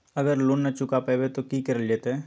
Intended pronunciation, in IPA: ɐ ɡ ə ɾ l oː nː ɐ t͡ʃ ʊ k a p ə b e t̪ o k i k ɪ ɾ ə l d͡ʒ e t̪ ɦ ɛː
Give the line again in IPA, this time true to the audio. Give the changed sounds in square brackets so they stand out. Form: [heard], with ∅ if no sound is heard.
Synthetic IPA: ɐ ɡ ə ɾ l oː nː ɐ t͡ʃ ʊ k a p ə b e t̪ o k i k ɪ ɾ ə l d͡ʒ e t̪ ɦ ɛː